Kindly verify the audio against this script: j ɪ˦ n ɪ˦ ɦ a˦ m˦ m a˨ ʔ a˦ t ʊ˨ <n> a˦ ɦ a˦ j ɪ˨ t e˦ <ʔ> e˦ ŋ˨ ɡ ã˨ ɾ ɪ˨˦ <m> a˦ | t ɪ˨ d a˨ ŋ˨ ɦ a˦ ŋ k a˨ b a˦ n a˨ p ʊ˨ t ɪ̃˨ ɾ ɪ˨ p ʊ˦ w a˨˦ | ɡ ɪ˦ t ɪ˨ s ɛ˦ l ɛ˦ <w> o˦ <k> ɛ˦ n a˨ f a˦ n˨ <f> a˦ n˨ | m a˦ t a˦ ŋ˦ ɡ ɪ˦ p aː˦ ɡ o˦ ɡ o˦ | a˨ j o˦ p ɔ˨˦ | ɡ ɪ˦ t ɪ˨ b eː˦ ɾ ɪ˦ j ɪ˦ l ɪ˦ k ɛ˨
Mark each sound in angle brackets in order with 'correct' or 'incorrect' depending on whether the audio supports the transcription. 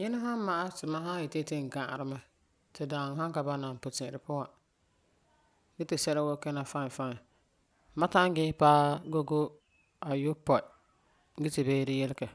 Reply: incorrect, incorrect, correct, correct, correct, correct

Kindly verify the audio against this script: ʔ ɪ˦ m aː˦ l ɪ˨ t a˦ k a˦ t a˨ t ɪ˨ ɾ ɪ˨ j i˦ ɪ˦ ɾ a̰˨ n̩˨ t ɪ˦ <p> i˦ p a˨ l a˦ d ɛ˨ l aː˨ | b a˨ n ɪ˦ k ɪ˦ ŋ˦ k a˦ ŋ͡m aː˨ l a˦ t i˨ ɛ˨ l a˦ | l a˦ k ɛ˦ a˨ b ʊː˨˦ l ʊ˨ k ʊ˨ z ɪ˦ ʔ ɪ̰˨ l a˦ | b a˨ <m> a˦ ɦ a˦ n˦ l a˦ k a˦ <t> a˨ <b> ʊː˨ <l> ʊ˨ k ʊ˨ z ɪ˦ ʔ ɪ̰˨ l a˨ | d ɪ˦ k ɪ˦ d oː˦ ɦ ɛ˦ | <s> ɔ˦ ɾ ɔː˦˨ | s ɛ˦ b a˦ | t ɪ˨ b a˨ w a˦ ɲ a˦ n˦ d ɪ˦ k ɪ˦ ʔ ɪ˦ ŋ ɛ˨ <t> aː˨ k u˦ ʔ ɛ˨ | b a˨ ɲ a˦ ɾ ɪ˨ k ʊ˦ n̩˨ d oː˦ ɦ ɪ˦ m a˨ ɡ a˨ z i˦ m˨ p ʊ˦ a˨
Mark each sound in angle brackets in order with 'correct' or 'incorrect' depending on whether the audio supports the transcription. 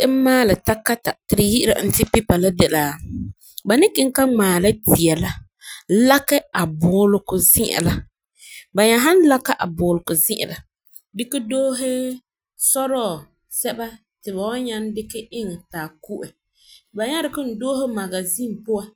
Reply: correct, incorrect, incorrect, correct, correct, correct, correct

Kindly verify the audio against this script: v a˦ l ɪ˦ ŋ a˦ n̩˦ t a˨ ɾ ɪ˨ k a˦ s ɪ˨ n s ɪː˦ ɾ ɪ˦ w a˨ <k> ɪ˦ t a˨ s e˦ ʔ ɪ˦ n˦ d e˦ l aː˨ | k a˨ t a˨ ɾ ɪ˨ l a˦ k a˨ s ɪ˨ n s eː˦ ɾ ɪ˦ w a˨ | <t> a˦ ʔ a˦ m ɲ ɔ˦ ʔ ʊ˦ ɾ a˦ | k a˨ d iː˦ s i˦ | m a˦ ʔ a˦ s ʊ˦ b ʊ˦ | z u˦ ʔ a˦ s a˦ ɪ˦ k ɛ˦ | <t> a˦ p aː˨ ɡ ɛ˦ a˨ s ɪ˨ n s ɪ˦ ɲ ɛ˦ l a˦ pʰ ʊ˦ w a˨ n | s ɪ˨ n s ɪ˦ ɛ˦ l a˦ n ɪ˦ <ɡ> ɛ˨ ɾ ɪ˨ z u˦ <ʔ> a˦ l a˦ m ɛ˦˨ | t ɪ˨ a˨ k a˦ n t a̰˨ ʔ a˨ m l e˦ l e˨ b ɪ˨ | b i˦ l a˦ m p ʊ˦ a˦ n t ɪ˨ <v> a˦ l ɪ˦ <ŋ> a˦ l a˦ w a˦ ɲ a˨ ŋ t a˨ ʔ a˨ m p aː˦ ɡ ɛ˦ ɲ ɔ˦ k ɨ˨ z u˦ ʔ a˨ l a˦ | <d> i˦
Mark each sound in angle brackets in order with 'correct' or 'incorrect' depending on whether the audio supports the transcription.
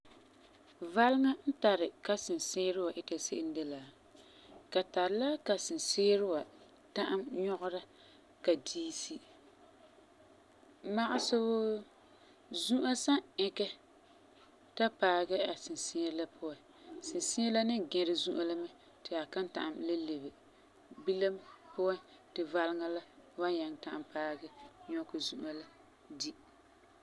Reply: incorrect, correct, correct, correct, correct, correct, correct, correct

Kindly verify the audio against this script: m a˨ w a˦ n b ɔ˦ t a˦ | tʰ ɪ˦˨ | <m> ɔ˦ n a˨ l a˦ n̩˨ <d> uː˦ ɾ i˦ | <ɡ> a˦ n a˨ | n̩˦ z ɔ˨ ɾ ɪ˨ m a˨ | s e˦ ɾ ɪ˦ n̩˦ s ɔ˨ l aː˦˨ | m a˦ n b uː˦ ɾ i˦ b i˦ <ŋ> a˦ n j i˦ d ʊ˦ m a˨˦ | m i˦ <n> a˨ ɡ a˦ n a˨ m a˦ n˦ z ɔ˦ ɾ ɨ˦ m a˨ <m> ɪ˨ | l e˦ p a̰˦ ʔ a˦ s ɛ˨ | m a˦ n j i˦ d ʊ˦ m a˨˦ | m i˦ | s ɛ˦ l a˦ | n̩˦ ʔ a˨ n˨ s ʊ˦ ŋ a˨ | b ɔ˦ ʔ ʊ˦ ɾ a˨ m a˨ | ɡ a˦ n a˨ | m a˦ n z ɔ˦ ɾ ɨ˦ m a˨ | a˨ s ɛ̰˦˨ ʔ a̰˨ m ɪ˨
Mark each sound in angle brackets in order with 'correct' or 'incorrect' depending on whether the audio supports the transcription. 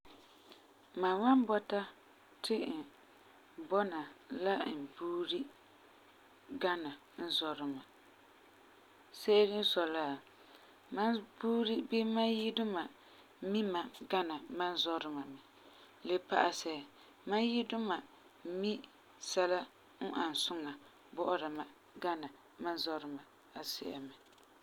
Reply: incorrect, incorrect, correct, incorrect, incorrect, correct

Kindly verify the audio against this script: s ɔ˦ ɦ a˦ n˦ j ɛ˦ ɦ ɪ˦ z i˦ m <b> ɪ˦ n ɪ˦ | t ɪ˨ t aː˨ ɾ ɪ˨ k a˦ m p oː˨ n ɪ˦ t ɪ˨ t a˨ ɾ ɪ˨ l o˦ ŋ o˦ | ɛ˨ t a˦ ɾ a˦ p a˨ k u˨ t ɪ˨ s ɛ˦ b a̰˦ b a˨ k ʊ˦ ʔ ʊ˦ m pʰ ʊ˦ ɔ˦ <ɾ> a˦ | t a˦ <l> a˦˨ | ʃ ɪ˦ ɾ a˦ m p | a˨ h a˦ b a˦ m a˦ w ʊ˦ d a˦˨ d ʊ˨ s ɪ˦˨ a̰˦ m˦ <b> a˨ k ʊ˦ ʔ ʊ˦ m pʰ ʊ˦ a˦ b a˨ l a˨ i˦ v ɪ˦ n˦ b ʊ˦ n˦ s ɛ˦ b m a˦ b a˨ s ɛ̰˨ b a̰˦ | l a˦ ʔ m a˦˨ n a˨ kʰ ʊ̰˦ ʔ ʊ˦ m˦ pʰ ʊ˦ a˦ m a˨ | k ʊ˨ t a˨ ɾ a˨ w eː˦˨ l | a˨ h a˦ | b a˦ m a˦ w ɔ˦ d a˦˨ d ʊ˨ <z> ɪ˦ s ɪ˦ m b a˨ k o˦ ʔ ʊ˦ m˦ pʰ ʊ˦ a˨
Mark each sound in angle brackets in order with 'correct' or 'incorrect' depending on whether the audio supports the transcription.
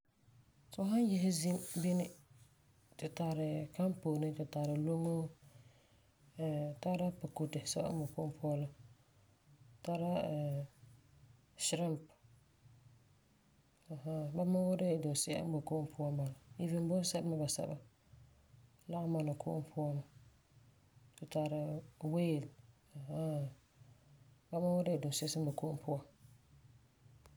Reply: correct, incorrect, incorrect, correct, incorrect

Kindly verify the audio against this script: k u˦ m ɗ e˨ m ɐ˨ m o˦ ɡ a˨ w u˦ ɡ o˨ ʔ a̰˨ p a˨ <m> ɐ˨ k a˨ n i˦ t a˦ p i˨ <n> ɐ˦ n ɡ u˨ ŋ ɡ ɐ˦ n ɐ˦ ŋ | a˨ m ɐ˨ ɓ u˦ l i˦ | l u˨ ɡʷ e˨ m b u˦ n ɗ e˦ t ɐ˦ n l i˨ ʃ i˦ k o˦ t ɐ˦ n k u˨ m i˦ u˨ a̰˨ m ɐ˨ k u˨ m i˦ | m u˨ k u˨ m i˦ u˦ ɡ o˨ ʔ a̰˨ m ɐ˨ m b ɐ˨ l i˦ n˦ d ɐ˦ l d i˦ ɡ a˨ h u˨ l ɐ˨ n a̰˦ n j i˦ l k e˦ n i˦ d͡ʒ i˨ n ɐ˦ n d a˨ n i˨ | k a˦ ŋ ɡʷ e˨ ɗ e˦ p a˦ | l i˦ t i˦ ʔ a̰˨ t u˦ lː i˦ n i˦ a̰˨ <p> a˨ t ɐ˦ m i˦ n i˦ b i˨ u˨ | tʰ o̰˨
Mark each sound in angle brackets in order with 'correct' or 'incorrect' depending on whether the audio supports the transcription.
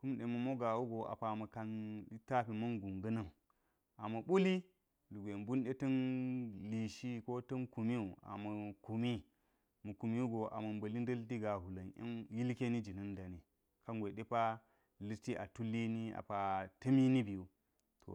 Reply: correct, incorrect, correct

